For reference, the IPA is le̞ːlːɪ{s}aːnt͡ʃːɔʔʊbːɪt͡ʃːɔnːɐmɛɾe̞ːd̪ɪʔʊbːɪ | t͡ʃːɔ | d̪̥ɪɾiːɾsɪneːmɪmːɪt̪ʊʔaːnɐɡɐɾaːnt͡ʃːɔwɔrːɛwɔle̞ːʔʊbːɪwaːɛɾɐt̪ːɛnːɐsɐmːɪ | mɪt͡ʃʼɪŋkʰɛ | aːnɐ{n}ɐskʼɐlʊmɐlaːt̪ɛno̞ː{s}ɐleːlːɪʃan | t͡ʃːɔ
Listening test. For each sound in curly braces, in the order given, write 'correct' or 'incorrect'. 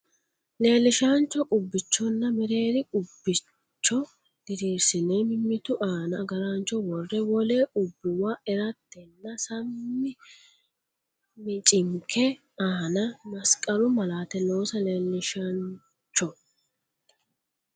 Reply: incorrect, incorrect, correct

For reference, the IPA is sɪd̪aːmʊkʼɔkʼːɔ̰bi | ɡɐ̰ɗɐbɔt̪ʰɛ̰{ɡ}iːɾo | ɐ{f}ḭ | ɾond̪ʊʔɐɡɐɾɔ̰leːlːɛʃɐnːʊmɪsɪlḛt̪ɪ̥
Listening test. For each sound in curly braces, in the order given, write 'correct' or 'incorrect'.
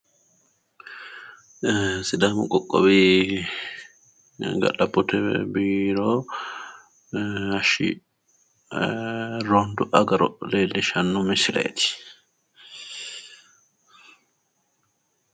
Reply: incorrect, incorrect

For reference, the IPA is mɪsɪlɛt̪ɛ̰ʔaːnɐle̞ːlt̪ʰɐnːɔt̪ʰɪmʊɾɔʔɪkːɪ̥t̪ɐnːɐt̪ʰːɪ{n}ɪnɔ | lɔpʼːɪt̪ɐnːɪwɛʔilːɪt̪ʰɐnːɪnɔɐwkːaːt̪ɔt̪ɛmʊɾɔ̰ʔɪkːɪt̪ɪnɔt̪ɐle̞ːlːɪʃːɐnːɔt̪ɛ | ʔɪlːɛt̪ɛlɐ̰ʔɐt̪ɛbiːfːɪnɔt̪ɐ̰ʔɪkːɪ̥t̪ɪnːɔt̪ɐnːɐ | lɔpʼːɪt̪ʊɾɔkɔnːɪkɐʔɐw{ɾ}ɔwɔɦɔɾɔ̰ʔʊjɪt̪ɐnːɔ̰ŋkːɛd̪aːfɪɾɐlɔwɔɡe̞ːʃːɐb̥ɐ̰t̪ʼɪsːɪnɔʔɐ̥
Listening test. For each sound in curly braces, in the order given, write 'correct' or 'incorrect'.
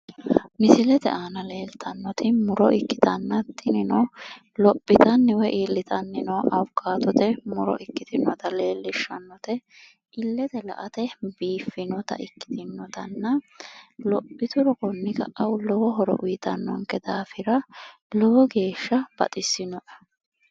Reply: correct, incorrect

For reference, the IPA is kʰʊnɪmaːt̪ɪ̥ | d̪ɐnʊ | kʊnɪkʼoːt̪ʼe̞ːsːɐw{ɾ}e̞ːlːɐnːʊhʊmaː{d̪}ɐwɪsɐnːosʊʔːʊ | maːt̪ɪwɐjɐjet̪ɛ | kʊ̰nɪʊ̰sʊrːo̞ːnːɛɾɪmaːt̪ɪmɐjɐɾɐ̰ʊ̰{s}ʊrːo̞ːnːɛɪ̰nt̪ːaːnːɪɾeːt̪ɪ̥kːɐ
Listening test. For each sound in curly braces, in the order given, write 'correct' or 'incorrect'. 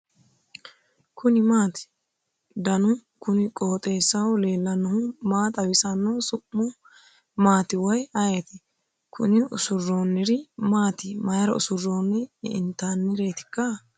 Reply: incorrect, incorrect, correct

